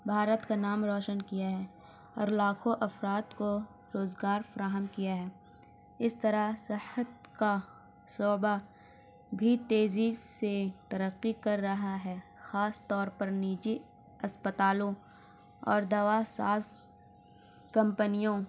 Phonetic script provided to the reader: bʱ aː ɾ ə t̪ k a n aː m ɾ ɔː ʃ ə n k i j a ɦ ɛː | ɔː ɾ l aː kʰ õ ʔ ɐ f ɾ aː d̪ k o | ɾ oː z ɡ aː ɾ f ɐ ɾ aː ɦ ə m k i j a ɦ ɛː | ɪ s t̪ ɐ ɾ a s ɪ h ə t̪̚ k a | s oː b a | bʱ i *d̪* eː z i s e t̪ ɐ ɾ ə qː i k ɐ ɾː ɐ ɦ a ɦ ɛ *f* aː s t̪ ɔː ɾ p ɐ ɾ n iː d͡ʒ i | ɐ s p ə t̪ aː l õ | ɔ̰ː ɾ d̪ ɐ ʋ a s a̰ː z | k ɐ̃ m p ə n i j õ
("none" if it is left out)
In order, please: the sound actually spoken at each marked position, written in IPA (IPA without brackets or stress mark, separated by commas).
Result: t̪, x